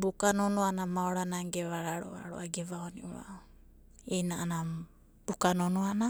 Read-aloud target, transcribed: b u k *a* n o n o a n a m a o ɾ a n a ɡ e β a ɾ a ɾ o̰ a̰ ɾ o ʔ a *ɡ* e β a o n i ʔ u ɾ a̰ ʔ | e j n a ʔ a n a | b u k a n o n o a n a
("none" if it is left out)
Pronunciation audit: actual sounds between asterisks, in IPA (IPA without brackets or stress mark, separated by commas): a, ɡ